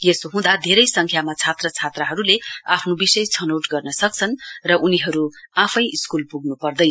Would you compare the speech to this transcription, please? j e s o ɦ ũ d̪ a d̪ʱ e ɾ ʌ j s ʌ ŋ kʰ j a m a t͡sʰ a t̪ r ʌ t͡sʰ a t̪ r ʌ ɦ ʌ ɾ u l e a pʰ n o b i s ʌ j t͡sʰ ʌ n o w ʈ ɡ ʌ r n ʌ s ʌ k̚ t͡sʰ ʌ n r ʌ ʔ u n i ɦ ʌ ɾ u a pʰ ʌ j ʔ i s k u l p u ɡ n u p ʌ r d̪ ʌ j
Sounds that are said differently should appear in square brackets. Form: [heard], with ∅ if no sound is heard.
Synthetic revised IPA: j e s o ɦ ũ d̪ a d̪ʱ e ɾ ʌ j s ʌ ŋ kʰ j a m a t͡sʰ a t̪ r ʌ t͡sʰ a t̪ r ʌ ɦ ʌ ɾ u l e a pʰ n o b i s ʌ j t͡sʰ ʌ n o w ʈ ɡ ʌ r n ʌ s ʌ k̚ t͡sʰ ʌ n r ʌ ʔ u n i ɦ ʌ ɾ u a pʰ ʌ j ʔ i s k u l p u ɡ n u p ʌ r d̪ ʌ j

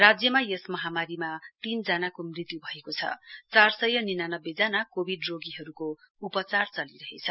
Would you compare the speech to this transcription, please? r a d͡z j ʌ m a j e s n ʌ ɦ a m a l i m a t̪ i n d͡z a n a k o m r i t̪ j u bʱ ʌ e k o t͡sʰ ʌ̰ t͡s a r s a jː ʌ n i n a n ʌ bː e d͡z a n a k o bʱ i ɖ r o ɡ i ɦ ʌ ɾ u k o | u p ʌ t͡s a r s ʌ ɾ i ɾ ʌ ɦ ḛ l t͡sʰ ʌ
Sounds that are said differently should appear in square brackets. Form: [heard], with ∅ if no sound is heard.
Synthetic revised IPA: r a d͡z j ʌ m a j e s [m] ʌ ɦ a m a [ɾ] i m a t̪ i n d͡z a n a k o m r i t̪ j u bʱ ʌ e k o t͡sʰ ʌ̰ t͡s a r s [ʌ] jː ʌ n i n a n ʌ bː e d͡z a n a k o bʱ i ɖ r o ɡ i ɦ ʌ ɾ u k o | u p ʌ t͡s a r [t͡s] ʌ [l] i ɾ ʌ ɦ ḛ [∅] t͡sʰ ʌ

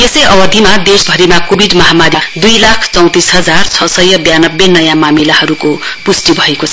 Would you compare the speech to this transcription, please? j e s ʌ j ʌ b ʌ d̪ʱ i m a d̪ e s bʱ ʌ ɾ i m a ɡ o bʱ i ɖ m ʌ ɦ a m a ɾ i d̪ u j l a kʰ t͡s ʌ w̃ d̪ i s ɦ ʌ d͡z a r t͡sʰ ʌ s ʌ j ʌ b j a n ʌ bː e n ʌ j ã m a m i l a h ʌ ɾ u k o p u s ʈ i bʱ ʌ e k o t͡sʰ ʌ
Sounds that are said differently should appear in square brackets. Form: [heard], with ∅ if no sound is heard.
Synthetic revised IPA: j e s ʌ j ʌ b ʌ d̪ʱ i m a d̪ e s bʱ ʌ ɾ i m a [k] o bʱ i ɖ m ʌ ɦ a m a ɾ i d̪ u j l a kʰ t͡s ʌ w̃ [t̪] i s ɦ ʌ d͡z a r t͡sʰ ʌ s ʌ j ʌ b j a n ʌ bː e n ʌ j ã m a m i l a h ʌ ɾ u k o p u s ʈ i bʱ ʌ e k o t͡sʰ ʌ

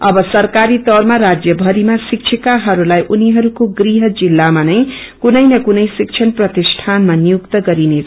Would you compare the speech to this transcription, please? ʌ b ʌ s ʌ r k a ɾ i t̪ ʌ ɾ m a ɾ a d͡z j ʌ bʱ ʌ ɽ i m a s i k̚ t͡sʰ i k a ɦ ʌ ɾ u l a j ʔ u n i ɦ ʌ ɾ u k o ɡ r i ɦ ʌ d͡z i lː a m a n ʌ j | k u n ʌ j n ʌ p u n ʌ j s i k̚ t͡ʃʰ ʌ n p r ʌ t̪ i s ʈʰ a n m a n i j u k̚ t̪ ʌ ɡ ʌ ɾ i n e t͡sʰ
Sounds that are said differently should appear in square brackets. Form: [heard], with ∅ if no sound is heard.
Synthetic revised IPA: ʌ b ʌ s ʌ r k a ɾ i t̪ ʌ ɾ m a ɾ a d͡z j ʌ bʱ ʌ [ɾ] i m a s i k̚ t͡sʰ i k a ɦ ʌ ɾ u l a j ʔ u n i ɦ ʌ ɾ u k o ɡ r i ɦ ʌ d͡z i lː a m a n ʌ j | k u n ʌ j n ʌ [k] u n ʌ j s i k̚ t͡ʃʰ ʌ n p r ʌ t̪ i s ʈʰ a n m a n i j u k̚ t̪ ʌ ɡ ʌ ɾ i n e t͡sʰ

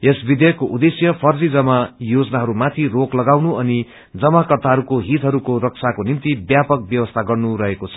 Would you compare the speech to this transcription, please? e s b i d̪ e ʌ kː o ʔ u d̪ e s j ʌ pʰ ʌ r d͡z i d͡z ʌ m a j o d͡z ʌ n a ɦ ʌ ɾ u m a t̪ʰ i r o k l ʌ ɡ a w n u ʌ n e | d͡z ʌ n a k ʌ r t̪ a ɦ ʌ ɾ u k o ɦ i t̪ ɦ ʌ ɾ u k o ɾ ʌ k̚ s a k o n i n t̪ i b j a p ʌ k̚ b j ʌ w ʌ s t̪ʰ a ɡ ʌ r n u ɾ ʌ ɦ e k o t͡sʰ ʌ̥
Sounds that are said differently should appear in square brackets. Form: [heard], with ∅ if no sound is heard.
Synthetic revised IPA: e s b i d̪ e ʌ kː o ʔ u d̪ e s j ʌ pʰ ʌ r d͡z i d͡z ʌ m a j o d͡z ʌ n a ɦ ʌ ɾ u m a t̪ʰ i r o k l ʌ ɡ a w n u ʌ n [i] | d͡z ʌ [m] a k ʌ r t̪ a ɦ ʌ ɾ u k o ɦ i t̪ ɦ ʌ ɾ u k o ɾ ʌ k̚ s a k o n i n t̪ i b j a p ʌ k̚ b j ʌ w ʌ s t̪ʰ a ɡ ʌ r n u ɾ ʌ ɦ e k o t͡sʰ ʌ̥

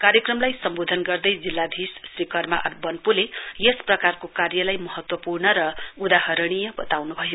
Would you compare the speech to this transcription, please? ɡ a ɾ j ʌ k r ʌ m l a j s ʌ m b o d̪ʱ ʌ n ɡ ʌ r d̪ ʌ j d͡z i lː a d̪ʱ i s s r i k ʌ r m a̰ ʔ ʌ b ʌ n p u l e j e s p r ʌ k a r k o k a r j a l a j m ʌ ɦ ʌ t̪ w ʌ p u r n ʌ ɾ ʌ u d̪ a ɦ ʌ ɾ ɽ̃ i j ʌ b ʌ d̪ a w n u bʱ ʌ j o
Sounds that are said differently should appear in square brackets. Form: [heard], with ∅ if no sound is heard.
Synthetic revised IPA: [k] a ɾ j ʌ k r ʌ m l a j s ʌ m b o d̪ʱ ʌ n ɡ ʌ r d̪ ʌ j d͡z i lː a d̪ʱ i s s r i k ʌ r m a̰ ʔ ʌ b ʌ n p u l e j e s p r ʌ k a r k o k a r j [ʌ] l a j m ʌ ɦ ʌ t̪ w ʌ p u r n ʌ ɾ ʌ u d̪ a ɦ ʌ ɾ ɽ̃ i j ʌ b ʌ [t̪] a w n u bʱ ʌ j o

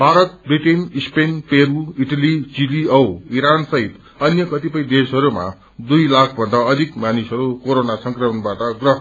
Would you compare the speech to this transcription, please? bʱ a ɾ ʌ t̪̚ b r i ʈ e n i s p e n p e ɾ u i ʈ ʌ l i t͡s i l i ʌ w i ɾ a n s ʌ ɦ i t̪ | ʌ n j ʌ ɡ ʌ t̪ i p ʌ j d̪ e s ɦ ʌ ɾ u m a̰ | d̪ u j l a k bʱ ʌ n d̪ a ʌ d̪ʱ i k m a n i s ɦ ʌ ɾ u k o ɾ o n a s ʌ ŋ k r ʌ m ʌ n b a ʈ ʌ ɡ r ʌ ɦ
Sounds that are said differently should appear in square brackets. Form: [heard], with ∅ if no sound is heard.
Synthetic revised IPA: bʱ a ɾ ʌ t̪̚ b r i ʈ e n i s p e n p e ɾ u i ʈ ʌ l i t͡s i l i ʌ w i ɾ a n s ʌ ɦ i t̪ | ʌ n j ʌ [k] ʌ t̪ i p ʌ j d̪ e s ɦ ʌ ɾ u m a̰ | d̪ u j l a [kʰ] bʱ ʌ n d̪ a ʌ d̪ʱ i k m a n i s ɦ ʌ ɾ u k o ɾ o n a s ʌ ŋ k r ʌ m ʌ n b a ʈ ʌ ɡ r ʌ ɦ

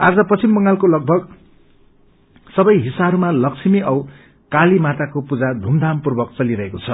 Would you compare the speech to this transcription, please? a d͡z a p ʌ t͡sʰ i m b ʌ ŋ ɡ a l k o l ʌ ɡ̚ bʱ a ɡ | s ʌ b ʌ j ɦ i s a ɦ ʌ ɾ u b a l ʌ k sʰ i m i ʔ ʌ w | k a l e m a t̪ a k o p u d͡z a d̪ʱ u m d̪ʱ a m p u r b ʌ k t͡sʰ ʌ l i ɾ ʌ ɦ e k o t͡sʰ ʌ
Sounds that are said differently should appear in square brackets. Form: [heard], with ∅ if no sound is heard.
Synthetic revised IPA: a d͡z [ʌ] p ʌ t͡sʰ i m b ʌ ŋ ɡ a l k o l ʌ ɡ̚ bʱ [ʌ] ɡ | s ʌ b ʌ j ɦ i s a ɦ ʌ ɾ u [m] a l ʌ k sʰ i m i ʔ ʌ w | k a l [i] m a t̪ a k o p u d͡z a d̪ʱ u m d̪ʱ a m p u r b ʌ k [t͡s] ʌ l i ɾ ʌ ɦ e k o t͡sʰ ʌ

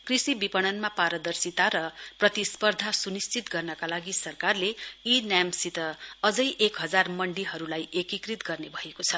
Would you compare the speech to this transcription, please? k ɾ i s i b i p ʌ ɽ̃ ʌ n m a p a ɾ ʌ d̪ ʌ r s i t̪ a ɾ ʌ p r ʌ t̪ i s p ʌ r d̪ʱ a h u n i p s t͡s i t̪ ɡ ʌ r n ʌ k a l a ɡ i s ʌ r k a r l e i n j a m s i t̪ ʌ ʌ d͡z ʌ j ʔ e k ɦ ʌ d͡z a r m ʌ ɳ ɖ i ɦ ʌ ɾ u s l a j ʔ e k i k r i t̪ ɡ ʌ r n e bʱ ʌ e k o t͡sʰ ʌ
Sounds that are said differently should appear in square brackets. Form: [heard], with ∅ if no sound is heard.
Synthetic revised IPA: k [r] i s i b i p ʌ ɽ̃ ʌ n m a p a ɾ ʌ d̪ ʌ r s i t̪ a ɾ ʌ p r ʌ t̪ i s p ʌ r d̪ʱ a [s] u n i [∅] s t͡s i t̪ ɡ ʌ r n ʌ k a l a ɡ i s ʌ r k a r l e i n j a m s i t̪ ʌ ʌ d͡z ʌ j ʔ e k ɦ ʌ d͡z a r m ʌ ɳ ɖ i ɦ ʌ ɾ u [∅] l a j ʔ e k i k r i t̪ ɡ ʌ r n e bʱ ʌ e k o t͡sʰ ʌ

